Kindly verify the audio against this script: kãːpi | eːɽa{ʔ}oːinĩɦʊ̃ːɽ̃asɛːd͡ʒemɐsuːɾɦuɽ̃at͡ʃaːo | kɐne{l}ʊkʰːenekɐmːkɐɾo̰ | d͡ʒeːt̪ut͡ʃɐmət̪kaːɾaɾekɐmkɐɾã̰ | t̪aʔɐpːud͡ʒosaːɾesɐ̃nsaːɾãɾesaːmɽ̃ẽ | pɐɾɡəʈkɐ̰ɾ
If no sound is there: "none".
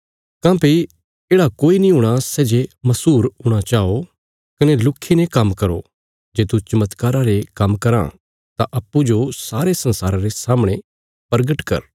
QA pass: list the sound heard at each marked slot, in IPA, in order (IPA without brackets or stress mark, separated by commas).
k, l